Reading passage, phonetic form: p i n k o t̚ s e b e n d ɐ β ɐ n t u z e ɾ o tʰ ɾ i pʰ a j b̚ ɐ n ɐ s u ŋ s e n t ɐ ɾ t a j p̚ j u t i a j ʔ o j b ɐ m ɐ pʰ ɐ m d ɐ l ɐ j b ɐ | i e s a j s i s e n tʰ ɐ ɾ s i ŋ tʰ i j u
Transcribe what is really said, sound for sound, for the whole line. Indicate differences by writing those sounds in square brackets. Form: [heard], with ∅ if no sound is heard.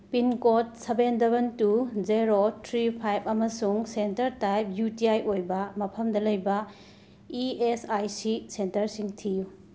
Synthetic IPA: p i n k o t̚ s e b e n d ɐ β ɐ n t u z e ɾ o tʰ ɾ i pʰ a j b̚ ɐ [m] ɐ s u ŋ s e n t ɐ ɾ t a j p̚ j u t i a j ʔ o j b ɐ m ɐ pʰ ɐ m d ɐ l ɐ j b ɐ | i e s a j s i s e n [t] ɐ ɾ s i ŋ tʰ i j u